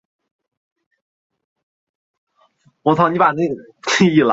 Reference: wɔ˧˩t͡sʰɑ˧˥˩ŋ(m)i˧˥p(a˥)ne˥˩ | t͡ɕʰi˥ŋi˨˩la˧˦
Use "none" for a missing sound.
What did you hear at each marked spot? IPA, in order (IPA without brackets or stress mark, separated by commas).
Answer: n, a˨˩